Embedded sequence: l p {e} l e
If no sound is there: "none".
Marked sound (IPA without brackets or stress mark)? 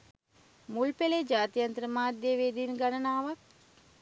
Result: e